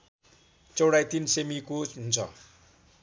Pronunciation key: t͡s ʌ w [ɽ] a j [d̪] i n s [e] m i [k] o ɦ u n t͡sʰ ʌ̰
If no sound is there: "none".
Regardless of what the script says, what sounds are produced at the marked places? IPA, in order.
ɽ, t̪, e, k

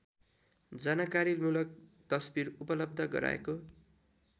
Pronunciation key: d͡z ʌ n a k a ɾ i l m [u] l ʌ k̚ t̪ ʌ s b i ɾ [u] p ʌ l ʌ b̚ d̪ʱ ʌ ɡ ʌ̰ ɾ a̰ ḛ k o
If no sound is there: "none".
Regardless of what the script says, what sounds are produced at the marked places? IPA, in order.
u, u

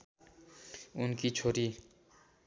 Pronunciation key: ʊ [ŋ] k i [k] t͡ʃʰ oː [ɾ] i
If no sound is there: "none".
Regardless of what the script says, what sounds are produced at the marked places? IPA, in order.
n, none, ɾ

